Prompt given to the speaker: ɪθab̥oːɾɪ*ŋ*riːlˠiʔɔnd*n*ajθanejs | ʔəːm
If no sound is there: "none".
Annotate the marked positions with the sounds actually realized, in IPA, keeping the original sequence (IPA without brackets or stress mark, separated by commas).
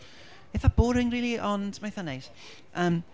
ŋ, m